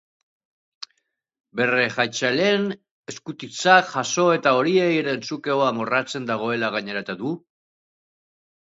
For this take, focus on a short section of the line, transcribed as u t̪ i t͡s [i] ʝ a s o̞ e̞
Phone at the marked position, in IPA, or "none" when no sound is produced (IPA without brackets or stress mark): a